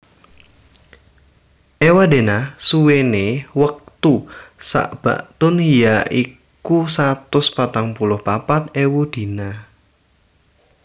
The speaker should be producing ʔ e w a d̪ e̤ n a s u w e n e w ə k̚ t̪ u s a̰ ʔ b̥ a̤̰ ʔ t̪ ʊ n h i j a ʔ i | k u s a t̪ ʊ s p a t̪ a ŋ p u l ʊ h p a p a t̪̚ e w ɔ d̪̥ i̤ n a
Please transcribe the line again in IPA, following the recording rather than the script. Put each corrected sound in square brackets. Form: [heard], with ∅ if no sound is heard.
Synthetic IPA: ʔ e w a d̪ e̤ n a s u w e n e w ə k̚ t̪ u s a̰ ʔ b̥ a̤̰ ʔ t̪ ʊ n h i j a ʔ i | k u s a t̪ ʊ s p a t̪ a ŋ p u l ʊ h p a p a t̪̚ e w [u] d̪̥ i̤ n a

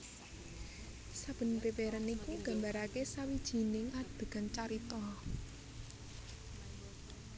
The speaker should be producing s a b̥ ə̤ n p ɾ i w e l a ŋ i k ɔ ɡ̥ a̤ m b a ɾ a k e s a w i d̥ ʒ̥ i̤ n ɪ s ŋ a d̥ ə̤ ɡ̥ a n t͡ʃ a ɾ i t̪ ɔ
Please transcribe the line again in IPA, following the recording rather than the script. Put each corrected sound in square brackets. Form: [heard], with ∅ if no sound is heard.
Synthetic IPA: s a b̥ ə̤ n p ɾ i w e [ɾ] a [n] i k [u] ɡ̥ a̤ m b a ɾ a k e s a w i d̥ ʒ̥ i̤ n ɪ [∅] ŋ a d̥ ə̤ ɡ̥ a n t͡ʃ a ɾ i t̪ ɔ

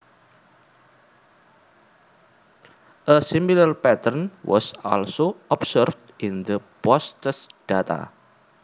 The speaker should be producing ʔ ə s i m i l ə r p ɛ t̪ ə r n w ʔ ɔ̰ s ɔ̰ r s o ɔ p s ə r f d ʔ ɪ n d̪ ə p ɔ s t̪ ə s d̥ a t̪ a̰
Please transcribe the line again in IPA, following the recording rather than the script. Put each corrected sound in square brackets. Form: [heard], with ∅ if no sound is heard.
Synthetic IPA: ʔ ə s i m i l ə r p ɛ t̪ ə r n w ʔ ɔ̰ s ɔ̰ [l] s o ɔ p s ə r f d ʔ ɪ n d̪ ə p ɔ s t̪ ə s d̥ a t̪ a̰

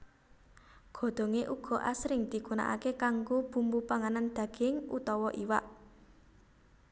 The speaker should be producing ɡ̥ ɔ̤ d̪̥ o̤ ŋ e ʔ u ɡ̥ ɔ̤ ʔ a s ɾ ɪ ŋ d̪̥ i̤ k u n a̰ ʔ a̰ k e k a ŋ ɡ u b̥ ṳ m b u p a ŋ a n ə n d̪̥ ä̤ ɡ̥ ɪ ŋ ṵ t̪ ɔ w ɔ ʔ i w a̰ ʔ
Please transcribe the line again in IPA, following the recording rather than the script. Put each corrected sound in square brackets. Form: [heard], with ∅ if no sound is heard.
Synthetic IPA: ɡ̥ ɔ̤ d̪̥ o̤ ŋ e ʔ u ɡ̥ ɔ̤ ʔ a s ɾ ɪ ŋ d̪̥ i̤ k u n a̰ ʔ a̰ k e k a ŋ ɡ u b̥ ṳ m b u p a ŋ a n [a] n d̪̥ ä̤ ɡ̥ ɪ ŋ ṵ t̪ ɔ w ɔ ʔ i w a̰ ʔ

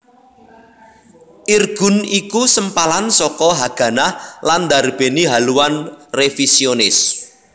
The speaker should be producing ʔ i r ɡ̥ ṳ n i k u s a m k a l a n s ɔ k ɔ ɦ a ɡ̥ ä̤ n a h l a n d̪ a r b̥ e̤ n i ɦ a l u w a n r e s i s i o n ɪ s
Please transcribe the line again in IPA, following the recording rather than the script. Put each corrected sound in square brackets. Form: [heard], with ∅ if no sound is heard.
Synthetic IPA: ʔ i r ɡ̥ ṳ n i k u s [ə] m [p] a l a n s ɔ k ɔ ɦ a ɡ̥ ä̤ n a h l a n d̪ a r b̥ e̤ n i ɦ a l u w a n r e [f] i s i o n ɪ s

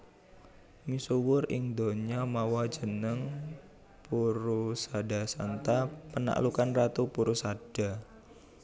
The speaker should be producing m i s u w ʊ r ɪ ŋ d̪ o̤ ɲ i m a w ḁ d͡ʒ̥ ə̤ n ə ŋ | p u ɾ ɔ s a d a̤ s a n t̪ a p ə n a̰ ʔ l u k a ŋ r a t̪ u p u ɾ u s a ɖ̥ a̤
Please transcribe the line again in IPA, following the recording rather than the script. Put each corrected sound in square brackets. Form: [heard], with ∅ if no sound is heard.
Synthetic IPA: m i s u w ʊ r ɪ ŋ d̪ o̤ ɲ [a] m a w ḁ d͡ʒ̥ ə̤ n ə ŋ | p u ɾ [u] s a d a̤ s a n t̪ a p ə n a̰ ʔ l u k a [n] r a t̪ u p u ɾ u s a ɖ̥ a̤

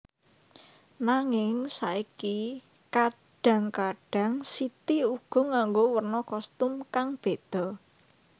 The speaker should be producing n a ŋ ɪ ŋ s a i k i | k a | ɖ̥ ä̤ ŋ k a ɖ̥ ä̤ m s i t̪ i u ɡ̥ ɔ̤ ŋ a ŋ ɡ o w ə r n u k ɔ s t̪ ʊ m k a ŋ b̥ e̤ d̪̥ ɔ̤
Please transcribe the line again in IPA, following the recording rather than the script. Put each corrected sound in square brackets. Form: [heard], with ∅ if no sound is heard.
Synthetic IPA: n a ŋ ɪ ŋ s a i k i | k a | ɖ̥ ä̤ ŋ k a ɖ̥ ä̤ [ŋ] s i t̪ i u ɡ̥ ɔ̤ ŋ a ŋ ɡ o w ə r n [ɔ] k ɔ s t̪ ʊ m k a ŋ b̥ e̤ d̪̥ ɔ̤

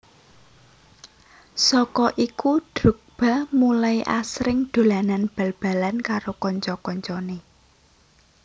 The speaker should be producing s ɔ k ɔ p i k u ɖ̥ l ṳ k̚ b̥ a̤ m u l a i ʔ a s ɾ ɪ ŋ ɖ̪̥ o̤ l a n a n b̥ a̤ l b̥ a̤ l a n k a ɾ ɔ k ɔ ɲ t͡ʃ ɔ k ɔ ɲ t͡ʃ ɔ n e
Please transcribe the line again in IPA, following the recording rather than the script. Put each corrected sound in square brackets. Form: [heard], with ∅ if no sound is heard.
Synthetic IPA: s ɔ k ɔ [ʔ] i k u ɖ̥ [ɾ] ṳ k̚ b̥ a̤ m u l a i ʔ a s ɾ ɪ ŋ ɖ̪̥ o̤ l a n a n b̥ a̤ l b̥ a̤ l a n k a ɾ [o] k ɔ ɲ t͡ʃ ɔ k ɔ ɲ t͡ʃ ɔ n e

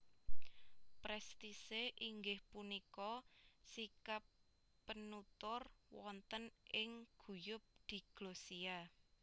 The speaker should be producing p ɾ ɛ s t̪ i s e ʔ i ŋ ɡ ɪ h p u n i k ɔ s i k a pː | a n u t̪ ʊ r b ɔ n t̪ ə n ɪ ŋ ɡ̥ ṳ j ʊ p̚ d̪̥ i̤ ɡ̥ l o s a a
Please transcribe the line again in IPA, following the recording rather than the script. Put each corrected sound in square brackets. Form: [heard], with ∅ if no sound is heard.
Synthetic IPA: p ɾ ɛ s t̪ i s e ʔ i ŋ ɡ ɪ h p u n i k ɔ s i k a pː | [ə] n u t̪ ʊ r [w] ɔ n t̪ ə n ɪ ŋ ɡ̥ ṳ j ʊ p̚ d̪̥ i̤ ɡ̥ l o s [i] a

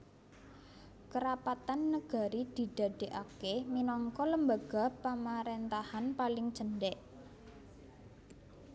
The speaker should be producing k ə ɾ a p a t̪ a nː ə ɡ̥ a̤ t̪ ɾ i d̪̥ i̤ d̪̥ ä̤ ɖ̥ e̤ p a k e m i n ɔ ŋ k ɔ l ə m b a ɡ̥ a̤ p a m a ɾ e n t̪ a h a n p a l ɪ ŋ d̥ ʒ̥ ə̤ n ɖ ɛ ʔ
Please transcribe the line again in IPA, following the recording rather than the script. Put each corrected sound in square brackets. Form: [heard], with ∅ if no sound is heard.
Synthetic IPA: k ə ɾ a p a t̪ a nː ə ɡ̥ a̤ [∅] ɾ i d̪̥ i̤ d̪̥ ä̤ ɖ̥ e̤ [ʔ] a k e m i n ɔ ŋ k ɔ l ə m b a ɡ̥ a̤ p a m a ɾ e n t̪ a h a n p a l ɪ ŋ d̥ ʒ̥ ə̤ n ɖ ɛ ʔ

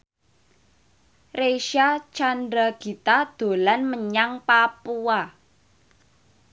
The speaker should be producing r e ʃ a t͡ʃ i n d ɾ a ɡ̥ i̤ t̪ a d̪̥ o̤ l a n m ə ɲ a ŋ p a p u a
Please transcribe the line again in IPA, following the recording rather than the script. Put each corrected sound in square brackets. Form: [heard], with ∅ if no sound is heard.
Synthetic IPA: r e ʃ a t͡ʃ [a] n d ɾ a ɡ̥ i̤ t̪ a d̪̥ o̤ l a n m ə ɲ a ŋ p a p u a

